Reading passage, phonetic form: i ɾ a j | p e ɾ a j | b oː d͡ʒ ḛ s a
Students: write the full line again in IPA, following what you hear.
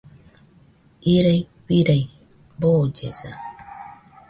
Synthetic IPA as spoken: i ɾ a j | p i ɾ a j | b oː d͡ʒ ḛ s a